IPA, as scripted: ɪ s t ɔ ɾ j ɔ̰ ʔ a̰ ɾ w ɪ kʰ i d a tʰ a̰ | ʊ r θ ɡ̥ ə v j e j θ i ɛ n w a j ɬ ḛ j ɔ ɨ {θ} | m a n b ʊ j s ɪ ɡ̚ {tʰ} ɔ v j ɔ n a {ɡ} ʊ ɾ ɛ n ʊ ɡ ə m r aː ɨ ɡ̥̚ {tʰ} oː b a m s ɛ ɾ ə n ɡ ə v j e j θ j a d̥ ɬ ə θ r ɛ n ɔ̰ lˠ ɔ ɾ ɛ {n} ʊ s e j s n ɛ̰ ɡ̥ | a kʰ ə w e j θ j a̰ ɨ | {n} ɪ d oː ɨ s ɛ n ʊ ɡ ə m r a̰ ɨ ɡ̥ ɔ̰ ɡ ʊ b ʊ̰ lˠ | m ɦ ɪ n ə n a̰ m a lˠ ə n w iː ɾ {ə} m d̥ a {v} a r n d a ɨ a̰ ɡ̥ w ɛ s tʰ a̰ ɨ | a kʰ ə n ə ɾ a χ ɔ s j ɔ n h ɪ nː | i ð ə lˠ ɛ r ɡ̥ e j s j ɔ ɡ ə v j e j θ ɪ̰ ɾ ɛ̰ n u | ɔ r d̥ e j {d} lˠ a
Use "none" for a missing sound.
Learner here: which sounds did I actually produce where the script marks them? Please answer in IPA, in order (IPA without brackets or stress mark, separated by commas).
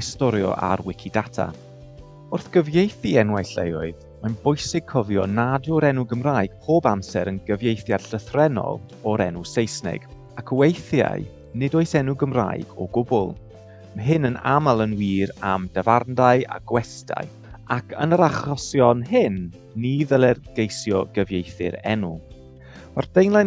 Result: ð, kʰ, d, pʰ, n, n, a, v, n